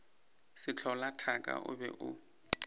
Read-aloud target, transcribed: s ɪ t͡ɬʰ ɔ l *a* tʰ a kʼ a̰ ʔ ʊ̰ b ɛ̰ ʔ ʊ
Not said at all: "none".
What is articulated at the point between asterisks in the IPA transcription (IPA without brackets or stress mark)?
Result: a